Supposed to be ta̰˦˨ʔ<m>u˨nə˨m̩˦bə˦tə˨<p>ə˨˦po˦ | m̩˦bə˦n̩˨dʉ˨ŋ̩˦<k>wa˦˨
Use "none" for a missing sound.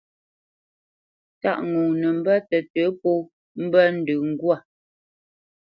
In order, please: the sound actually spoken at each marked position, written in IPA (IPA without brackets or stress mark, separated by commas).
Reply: ŋ, t, ɡ